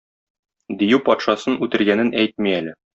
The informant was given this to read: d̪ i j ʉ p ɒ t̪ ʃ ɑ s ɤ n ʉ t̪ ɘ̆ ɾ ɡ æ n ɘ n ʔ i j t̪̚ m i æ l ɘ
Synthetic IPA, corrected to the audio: d̪ i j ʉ p ɒ t̪ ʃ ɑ s ɤ n ʉ t̪ ɘ̆ ɾ ɡ æ n ɘ n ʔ æ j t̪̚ m i æ l ɘ